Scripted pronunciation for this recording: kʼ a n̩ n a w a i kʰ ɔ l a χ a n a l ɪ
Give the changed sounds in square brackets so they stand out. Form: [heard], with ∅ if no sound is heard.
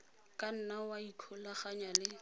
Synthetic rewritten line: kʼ a n̩ n a w a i kʰ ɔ l a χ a [ɲ] a l ɪ